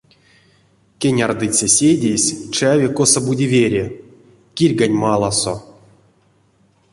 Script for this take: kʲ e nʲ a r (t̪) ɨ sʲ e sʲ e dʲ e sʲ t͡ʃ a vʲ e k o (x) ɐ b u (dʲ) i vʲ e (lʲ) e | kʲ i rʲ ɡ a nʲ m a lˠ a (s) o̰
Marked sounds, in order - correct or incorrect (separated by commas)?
incorrect, incorrect, correct, incorrect, correct